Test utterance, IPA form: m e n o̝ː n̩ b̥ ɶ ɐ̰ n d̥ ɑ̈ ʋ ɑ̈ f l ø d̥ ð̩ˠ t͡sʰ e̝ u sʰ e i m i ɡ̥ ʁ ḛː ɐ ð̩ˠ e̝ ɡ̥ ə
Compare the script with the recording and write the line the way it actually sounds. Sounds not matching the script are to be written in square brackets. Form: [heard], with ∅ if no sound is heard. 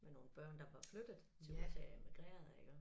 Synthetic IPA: m e n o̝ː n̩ b̥ ɶ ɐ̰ n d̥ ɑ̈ ʋ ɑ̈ f l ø d̥ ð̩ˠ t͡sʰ e̝ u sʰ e [e] m i ɡ̥ ʁ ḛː ɐ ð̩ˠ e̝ ɡ̥ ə

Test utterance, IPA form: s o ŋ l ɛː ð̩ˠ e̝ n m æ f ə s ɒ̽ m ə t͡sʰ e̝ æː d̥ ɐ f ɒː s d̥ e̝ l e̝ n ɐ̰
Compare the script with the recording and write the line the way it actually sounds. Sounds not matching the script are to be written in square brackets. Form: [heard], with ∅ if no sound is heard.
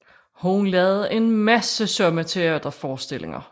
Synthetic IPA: [h] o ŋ l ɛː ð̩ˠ e̝ n m æ [s] ə s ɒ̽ m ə t͡sʰ e̝ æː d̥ ɐ f ɒː s d̥ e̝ l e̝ [ŋ] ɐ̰

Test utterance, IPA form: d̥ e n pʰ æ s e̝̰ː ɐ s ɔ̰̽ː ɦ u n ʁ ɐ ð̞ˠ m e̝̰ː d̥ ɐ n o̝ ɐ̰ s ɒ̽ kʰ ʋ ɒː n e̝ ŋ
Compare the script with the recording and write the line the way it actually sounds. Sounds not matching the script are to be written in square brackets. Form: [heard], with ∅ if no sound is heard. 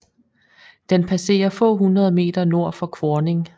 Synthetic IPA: d̥ e n pʰ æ s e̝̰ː ɐ [f] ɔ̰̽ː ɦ u n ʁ ɐ ð̞ˠ m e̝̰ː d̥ ɐ n o̝ ɐ̰ [f] ɒ̽ kʰ ʋ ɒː n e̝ ŋ

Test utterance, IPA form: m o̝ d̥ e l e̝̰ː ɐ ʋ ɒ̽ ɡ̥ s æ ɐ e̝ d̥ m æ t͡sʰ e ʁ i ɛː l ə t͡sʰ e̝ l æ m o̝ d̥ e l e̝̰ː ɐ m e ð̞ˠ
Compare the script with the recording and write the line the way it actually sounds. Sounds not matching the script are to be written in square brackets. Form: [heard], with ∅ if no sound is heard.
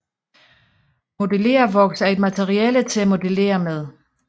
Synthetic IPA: m o̝ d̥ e l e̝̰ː ɐ ʋ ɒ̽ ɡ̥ s æ ɐ e̝ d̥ m æ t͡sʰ e ʁ i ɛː l ə t͡sʰ e̝ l æ m o̝ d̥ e l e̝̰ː ɐ m e ð̞ˠ

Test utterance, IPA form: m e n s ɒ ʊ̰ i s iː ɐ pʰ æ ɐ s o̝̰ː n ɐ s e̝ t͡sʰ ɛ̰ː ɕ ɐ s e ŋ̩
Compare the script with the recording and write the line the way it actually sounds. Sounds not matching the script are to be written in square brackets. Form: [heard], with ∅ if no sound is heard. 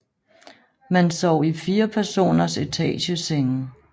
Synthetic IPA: m [æ] n s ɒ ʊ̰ i [f] iː ɐ pʰ æ ɐ s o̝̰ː n ɐ s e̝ t͡sʰ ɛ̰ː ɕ [ə] s e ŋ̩

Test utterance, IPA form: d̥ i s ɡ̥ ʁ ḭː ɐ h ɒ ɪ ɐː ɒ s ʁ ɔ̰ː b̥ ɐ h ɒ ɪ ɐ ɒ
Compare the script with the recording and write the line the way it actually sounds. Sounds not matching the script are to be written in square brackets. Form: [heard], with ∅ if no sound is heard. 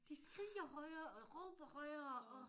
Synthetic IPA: d̥ i s ɡ̥ ʁ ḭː ɐ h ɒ ɪ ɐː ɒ [∅] ʁ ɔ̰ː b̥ ɐ h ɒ ɪ ɐ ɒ

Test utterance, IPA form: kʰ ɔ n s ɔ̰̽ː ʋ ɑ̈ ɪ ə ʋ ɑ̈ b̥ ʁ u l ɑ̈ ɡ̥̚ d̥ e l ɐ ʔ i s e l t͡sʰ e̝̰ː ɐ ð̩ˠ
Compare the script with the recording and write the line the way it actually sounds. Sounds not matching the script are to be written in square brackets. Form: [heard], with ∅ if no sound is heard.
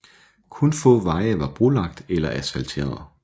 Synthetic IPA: kʰ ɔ n [f] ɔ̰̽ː ʋ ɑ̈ ɪ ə ʋ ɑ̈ b̥ ʁ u l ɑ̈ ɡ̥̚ d̥ e l ɐ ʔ [æ] s [æ] l t͡sʰ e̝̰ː ɐ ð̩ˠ

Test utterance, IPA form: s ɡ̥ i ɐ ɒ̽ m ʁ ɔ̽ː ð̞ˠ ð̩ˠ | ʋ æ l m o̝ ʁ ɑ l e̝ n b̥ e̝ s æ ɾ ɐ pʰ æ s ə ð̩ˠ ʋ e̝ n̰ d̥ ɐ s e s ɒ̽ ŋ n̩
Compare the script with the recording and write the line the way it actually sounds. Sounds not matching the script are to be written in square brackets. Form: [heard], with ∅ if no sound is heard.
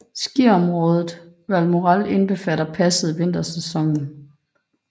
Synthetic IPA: s ɡ̥ i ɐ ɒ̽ m ʁ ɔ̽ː ð̞ˠ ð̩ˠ | ʋ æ l m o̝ ʁ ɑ l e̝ n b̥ e̝ [f] æ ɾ ɐ pʰ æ s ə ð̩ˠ ʋ e̝ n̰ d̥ ɐ s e s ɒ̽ ŋ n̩

